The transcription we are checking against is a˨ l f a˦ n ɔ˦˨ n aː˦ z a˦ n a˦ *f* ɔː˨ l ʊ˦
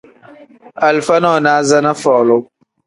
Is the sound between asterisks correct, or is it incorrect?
correct